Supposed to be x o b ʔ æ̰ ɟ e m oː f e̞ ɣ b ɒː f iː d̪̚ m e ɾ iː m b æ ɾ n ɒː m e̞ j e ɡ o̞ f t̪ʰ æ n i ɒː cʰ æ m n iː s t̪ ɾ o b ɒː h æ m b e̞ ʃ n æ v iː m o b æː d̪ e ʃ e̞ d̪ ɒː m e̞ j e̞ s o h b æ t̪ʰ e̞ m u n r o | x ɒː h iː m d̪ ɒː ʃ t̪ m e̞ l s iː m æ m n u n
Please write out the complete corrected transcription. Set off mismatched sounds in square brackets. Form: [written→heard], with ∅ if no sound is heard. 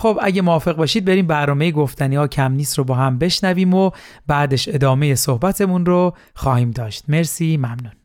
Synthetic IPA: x o b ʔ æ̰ ɟ e m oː f e̞ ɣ b ɒː [f→ʃ] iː d̪̚ [m→b] e ɾ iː m b æ ɾ n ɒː m e̞ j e ɡ o̞ f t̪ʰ æ n i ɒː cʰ æ m n iː s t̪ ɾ o b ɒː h æ m b e̞ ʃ n æ v iː m o b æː d̪ e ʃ e̞ d̪ ɒː m e̞ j e̞ s o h b æ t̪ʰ e̞ m u n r o | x ɒː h iː m d̪ ɒː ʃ t̪ m e̞ [l→ɾ] s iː m æ m n u n